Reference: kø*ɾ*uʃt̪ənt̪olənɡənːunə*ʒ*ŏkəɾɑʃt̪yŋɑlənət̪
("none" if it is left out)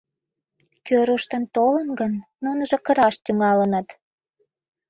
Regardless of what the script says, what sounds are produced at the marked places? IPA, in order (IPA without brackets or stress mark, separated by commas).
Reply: ɾ, ʒ